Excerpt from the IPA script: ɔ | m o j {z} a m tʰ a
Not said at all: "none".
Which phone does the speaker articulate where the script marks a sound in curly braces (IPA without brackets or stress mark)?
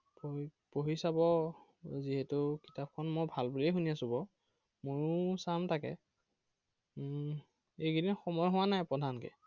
s